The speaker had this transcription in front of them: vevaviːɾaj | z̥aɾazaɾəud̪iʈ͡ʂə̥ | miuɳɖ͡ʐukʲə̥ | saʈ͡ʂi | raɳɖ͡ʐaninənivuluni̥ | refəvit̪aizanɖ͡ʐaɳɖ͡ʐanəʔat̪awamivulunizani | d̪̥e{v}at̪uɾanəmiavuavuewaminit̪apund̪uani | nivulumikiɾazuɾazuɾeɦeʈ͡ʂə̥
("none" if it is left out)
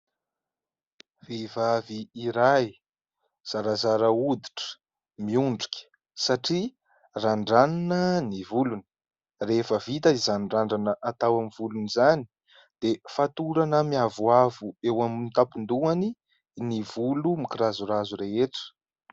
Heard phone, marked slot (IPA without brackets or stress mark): f